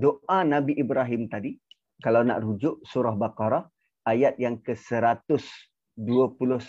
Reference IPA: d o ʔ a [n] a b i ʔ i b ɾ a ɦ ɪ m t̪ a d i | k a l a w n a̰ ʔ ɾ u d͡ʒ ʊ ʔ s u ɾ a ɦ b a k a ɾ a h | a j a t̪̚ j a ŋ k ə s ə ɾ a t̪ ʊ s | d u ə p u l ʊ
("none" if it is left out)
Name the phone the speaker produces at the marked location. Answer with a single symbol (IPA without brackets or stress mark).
n